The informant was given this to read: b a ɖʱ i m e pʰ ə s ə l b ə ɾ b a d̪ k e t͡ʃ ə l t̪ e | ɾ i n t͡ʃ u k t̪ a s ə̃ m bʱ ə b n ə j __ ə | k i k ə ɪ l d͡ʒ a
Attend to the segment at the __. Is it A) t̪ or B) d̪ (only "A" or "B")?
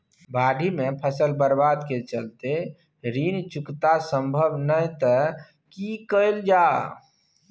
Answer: A